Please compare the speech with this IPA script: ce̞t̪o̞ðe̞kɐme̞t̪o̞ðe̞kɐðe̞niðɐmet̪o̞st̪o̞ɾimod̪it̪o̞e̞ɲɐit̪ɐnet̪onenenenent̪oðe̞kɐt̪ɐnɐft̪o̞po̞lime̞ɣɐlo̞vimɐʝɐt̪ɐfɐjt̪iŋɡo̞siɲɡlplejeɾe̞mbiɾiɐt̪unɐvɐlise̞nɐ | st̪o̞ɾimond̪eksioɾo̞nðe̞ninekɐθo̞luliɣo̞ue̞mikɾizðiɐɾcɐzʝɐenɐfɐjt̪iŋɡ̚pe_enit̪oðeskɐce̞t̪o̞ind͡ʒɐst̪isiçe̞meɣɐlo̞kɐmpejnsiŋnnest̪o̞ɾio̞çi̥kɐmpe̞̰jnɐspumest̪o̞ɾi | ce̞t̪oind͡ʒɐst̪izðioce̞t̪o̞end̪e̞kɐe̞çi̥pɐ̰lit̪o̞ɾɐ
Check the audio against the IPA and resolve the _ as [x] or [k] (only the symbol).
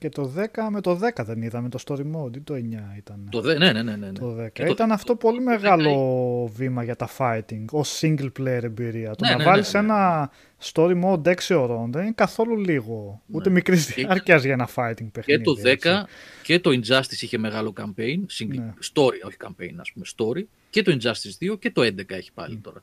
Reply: x